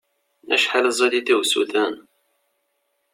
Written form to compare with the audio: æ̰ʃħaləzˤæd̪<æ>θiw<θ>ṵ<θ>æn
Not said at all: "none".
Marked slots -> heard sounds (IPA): i, s, θ

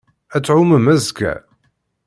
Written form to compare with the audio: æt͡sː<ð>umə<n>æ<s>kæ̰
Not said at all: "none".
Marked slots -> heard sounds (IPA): ʕ, m, z

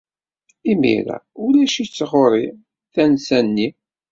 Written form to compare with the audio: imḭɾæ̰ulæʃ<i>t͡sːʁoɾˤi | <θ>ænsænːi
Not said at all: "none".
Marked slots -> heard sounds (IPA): i, θ

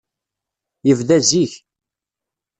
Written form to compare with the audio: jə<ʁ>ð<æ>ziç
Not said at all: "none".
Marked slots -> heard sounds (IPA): v, æ

